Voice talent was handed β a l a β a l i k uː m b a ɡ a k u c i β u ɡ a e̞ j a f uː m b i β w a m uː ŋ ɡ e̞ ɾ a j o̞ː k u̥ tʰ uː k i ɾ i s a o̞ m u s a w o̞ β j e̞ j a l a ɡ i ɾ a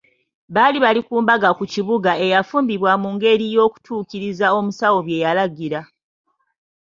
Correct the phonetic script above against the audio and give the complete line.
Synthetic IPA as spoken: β a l i β a l i k uː m b a ɡ a k u c i β u ɡ a e̞ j a f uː m b i β w a m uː ŋ ɡ e̞ ɾ i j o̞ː k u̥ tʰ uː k i ɾ i z a o̞ m u s a w o̞ β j e̞ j a l a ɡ i ɾ a

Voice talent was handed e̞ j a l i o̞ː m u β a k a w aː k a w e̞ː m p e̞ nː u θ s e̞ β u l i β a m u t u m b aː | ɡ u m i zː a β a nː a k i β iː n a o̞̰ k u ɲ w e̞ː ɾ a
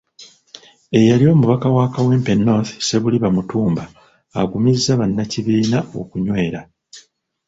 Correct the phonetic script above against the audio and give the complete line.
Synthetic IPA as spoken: e̞ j a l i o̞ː m u β a k a w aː k a w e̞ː m p e̞ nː o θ s e̞ β u l i β a m u t uː m b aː | ɡ u m i zː a β a nː a c i β iː n a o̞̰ k u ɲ w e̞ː ɾ a

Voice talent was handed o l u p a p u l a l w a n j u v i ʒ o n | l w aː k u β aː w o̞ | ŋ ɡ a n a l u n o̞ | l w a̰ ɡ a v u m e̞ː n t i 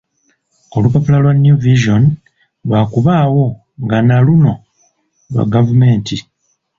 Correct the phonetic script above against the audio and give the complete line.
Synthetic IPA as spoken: o l u p a p u l a l w a n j u v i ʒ o n | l w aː k u β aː w o̞ | ŋ ɡ a n a l u n o̞ | l w a̰ ɡ a v u m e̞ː n t i

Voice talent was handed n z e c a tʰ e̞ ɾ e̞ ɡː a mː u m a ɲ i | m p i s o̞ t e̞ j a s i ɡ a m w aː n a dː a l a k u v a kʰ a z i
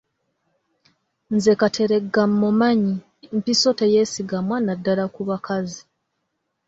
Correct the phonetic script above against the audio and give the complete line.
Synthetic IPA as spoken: n z e k a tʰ e̞ ɾ e̞ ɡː a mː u m a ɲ i | m p i s o̞ t e̞ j e s i ɡ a m w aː n a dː a l a k u β a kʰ a z i

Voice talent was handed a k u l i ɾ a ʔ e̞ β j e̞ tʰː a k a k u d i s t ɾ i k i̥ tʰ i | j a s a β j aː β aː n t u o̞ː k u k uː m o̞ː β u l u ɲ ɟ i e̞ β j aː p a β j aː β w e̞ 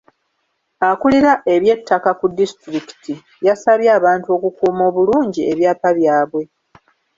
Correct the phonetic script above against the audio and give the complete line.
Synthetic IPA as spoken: a k u l i ɾ a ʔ e̞ β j e̞ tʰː a k a k u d i s t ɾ i k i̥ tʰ i | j a s a β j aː β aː n t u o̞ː k u k uː m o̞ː β u l uː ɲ ɟ i e̞ β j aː p a β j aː β w e̞

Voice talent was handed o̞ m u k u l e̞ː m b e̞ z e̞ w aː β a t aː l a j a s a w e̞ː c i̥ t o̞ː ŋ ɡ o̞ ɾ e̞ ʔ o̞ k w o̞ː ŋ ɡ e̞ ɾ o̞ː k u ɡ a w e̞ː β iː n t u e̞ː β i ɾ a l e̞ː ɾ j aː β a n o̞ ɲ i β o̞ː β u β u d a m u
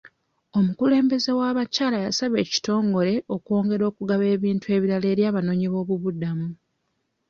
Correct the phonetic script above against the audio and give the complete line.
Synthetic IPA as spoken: o̞ m u k u l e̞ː m b e̞ z e̞ w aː β a c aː l a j a s a β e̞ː c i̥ t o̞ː ŋ ɡ o̞ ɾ e̞ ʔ o̞ k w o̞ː ŋ ɡ e̞ ɾ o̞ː k u ɡ a β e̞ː β iː n t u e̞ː β i ɾ a l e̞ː ɾ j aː β a n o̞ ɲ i β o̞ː β u β u d a m u

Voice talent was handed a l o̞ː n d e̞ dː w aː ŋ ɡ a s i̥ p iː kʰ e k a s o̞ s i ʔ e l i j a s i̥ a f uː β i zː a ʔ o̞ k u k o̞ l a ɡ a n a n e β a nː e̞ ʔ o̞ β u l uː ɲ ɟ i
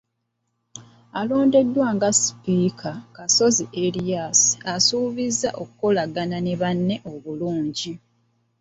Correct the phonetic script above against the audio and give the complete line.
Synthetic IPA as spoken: a l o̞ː n d e̞ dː w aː ŋ ɡ a s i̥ p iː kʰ a k a s o̞ z i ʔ e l i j a s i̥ a s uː β i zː a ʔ o̞ k u k o̞ l a ɡ a n a n e β a nː e̞ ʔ o̞ β u l uː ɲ ɟ i

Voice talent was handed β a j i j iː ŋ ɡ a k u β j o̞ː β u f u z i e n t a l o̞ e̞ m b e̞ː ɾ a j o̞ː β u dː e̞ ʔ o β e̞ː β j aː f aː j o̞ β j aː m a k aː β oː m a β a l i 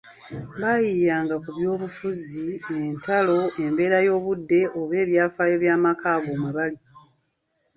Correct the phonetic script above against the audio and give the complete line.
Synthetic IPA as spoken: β a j i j aː ŋ ɡ a k u β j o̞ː β u f u z i e n t a l o̞ e̞ m b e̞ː ɾ a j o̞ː β u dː e̞ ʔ o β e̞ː β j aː f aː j o̞ β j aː m a k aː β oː m a β a l i

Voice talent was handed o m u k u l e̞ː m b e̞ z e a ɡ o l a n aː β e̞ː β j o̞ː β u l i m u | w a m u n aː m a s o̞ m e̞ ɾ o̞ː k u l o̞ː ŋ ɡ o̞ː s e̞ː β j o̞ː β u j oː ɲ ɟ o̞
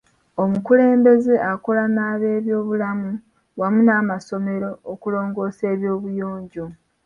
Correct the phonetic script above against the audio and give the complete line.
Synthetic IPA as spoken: o m u k u l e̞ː m b e̞ z e a k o l a n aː β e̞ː β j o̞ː β u l a m u | w a m u n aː m a s o̞ m e̞ ɾ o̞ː k u l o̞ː ŋ ɡ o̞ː s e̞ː β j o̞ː β u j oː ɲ ɟ o̞

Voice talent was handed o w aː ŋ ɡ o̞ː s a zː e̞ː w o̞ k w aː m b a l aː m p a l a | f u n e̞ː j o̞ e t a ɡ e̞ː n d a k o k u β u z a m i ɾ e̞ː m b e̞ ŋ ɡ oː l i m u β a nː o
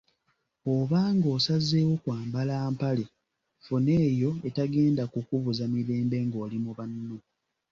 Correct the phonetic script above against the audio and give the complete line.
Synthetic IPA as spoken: o β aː ŋ ɡ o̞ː s a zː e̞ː w o̞ k w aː m b a l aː m p a l e | f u n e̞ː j o̞ e t a ɡ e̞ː n d a k u k u β u z a m i ɾ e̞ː m b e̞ ŋ ɡ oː l i m u β a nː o

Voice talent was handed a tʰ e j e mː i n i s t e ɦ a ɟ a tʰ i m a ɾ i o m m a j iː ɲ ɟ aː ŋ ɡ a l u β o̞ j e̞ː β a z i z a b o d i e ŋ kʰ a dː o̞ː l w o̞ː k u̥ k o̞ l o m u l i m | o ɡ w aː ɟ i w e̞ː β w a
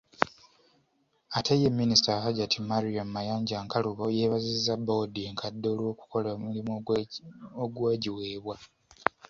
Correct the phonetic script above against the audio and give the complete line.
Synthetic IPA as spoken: a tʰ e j e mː i n i s t a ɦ a ɟ a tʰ i m a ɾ i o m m a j aː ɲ ɟ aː ŋ k a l u β o̞ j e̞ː β a z i z a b o d i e ŋ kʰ a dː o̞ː l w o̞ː k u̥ k o̞ l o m u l i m | o ɡ w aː ɟ i w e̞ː β w a

